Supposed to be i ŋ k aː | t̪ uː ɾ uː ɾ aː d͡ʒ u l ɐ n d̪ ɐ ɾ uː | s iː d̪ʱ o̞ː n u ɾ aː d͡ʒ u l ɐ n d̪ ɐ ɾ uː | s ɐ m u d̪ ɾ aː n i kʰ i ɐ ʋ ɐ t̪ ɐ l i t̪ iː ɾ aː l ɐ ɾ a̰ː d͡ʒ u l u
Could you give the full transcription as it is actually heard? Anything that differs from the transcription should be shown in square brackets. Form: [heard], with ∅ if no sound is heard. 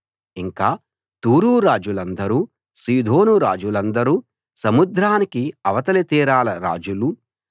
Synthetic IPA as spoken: i ŋ k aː | t̪ uː ɾ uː ɾ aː d͡ʒ u l ɐ n d̪ ɐ ɾ uː | s iː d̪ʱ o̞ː n u ɾ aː d͡ʒ u l ɐ n d̪ ɐ ɾ uː | s ɐ m u d̪ ɾ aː n i [k] i ɐ ʋ ɐ t̪ ɐ l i t̪ iː ɾ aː l ɐ ɾ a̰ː d͡ʒ u l u